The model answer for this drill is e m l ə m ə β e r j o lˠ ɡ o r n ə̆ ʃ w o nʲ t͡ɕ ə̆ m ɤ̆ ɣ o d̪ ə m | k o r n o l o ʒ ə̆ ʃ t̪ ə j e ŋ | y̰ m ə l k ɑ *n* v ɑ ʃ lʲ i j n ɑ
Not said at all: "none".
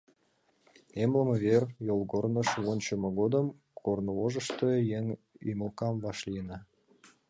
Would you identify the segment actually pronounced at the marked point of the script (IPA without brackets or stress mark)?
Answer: m